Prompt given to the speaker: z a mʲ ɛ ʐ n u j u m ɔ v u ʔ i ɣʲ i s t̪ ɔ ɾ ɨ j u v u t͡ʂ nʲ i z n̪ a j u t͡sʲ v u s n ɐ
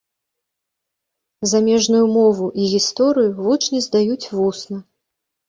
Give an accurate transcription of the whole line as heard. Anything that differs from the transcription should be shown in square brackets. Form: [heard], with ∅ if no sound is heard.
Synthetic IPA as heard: z a mʲ ɛ ʐ n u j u m ɔ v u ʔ i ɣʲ i s t̪ ɔ ɾ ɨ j u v u t͡ʂ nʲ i z [d̪] a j u t͡sʲ v u s n ɐ

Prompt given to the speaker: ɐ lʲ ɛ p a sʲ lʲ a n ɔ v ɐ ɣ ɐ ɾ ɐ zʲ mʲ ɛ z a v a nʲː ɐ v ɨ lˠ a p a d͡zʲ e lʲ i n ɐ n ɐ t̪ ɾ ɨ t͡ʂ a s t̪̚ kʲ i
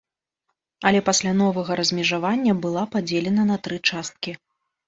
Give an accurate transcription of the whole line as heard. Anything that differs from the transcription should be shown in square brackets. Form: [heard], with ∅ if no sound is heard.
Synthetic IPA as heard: ɐ lʲ ɛ p a sʲ lʲ a n ɔ v ɐ ɣ ɐ ɾ ɐ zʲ mʲ ɛ [ʐ] a v a nʲː ɐ [b] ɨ lˠ a p a d͡zʲ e lʲ [ɛ] n ɐ n ɐ t̪ ɾ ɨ t͡ʂ a s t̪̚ kʲ i

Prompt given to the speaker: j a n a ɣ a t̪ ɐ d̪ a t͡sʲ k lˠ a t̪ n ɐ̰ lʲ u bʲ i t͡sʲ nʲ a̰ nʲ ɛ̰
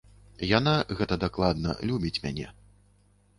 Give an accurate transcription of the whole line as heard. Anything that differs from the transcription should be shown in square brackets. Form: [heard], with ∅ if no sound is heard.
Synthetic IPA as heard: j a n a ɣ [ɛ] t̪ ɐ d̪ a [∅] k lˠ a [d̪] n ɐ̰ lʲ u bʲ i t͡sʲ [mʲ] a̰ nʲ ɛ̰

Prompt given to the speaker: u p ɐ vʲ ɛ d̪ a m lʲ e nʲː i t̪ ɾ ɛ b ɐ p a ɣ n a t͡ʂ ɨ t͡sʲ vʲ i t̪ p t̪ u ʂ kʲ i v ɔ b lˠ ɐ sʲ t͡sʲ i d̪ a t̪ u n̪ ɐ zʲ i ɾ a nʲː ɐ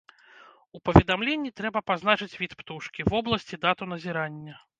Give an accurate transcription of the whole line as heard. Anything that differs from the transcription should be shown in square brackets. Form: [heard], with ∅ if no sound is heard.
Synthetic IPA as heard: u p ɐ vʲ ɛ d̪ a m lʲ e nʲː i t̪ ɾ ɛ b ɐ p a [z] n a t͡ʂ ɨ t͡sʲ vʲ i t̪ p t̪ u ʂ kʲ i v ɔ b lˠ ɐ sʲ t͡sʲ i d̪ a t̪ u n̪ ɐ zʲ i ɾ a nʲː ɐ

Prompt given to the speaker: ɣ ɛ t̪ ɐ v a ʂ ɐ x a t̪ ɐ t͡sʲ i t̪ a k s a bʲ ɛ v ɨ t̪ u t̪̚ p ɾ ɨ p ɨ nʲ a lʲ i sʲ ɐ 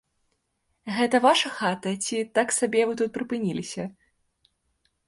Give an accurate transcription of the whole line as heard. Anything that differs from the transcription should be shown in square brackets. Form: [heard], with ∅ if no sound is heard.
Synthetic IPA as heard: ɣ ɛ t̪ ɐ v a ʂ ɐ x a t̪ ɐ t͡sʲ i t̪ a k s a bʲ ɛ v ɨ t̪ u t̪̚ p ɾ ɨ p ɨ nʲ [i] lʲ i sʲ ɐ

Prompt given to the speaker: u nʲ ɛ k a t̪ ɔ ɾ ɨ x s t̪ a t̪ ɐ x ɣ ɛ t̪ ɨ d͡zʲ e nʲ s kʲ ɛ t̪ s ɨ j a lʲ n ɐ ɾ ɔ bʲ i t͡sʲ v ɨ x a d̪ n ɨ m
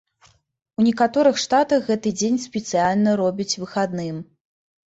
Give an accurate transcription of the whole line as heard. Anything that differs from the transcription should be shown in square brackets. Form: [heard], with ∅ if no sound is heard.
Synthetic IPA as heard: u nʲ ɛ k a t̪ ɔ ɾ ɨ x [ʂ] t̪ a t̪ ɐ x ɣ ɛ t̪ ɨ d͡zʲ e nʲ s [pʲ] ɛ t̪ s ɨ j a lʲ n ɐ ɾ ɔ bʲ i t͡sʲ v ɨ x a d̪ n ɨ m

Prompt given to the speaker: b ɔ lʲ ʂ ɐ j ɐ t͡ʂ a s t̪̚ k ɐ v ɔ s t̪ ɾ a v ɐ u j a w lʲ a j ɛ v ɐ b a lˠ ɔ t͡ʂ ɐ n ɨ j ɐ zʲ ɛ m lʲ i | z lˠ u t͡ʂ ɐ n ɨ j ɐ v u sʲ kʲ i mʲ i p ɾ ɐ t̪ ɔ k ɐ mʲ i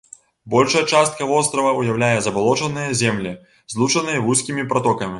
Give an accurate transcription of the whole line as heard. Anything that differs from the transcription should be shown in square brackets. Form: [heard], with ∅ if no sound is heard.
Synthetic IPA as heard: b ɔ lʲ ʂ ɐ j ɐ t͡ʂ a s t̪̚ k ɐ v ɔ s t̪ ɾ [ɐ] v ɐ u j a w lʲ a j ɛ [z] ɐ b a lˠ ɔ t͡ʂ ɐ n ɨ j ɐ zʲ ɛ m lʲ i | z lˠ u t͡ʂ ɐ n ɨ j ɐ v u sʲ kʲ i mʲ i p ɾ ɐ t̪ ɔ k ɐ mʲ i

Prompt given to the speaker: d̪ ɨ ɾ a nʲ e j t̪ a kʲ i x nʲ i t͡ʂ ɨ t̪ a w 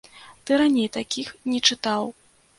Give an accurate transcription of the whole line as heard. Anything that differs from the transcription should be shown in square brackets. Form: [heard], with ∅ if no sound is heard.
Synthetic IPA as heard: [t̪] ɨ ɾ a nʲ e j t̪ a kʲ i x nʲ [ɛ] t͡ʂ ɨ t̪ a w

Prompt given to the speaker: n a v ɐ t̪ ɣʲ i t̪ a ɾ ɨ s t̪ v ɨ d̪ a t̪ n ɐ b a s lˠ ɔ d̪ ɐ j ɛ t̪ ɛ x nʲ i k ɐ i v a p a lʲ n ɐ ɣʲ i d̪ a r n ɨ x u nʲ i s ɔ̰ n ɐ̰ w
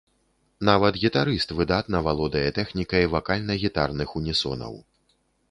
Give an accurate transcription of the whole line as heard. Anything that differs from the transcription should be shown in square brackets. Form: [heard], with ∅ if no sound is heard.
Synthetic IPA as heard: n a v ɐ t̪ ɣʲ i t̪ a ɾ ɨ s t̪ v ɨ d̪ a t̪ n ɐ [v] a [∅] lˠ ɔ d̪ ɐ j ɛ t̪ ɛ x nʲ i k ɐ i v a [k] a lʲ n ɐ ɣʲ i [t̪] a r n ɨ x u nʲ i s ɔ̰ n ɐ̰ w

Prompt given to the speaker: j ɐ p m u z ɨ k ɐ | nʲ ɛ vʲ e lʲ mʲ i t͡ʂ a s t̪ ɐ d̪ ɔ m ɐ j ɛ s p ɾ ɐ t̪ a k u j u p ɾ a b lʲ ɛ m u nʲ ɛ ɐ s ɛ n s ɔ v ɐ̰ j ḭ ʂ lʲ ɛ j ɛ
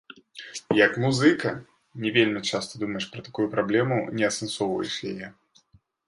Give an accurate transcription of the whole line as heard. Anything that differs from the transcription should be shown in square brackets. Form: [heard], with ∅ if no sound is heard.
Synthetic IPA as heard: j ɐ [k] m u z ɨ k ɐ | nʲ ɛ vʲ e lʲ mʲ i t͡ʂ a s t̪ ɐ d̪ [u] m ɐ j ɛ [ʂ] p ɾ ɐ t̪ a k u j u p ɾ a b lʲ ɛ m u nʲ ɛ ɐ s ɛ n s ɔ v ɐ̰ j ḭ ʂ lʲ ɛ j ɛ

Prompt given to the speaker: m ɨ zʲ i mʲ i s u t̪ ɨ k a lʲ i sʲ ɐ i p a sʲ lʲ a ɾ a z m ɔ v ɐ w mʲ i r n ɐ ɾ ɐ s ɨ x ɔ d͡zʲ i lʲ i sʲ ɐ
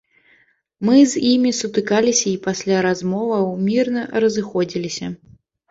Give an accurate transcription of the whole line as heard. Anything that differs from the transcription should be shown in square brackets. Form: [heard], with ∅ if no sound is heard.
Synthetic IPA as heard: m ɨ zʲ i mʲ i s u t̪ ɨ k a lʲ i sʲ ɐ i p a sʲ lʲ a ɾ a z m ɔ v ɐ w mʲ i r n ɐ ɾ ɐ [z] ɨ x ɔ d͡zʲ i lʲ i sʲ ɐ

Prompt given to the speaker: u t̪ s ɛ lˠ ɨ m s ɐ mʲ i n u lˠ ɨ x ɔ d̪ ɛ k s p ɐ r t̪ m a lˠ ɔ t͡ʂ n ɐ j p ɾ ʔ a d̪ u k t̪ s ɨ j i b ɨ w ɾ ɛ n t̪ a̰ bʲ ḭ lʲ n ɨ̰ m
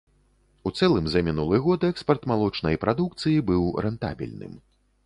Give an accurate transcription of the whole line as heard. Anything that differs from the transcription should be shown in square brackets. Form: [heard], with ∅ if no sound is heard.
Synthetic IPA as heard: u t̪ s ɛ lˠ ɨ m [z] ɐ mʲ i n u lˠ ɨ [ɣ] ɔ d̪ ɛ k s p ɐ r t̪ m a lˠ ɔ t͡ʂ n ɐ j p ɾ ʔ a d̪ u k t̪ s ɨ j i b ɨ w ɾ ɛ n t̪ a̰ bʲ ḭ lʲ n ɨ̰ m

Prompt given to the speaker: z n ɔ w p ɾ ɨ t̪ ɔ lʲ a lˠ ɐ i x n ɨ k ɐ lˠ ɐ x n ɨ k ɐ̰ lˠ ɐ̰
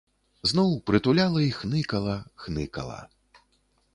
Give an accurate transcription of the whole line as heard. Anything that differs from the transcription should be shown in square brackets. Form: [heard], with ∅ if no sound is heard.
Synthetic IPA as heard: z n ɔ w p ɾ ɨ t̪ [u] lʲ a lˠ ɐ i x n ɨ k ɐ lˠ ɐ x n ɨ k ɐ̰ lˠ ɐ̰

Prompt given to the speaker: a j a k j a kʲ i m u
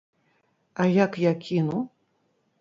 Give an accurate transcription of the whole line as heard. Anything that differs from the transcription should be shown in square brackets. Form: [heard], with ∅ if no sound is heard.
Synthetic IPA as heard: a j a k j a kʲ i [n] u

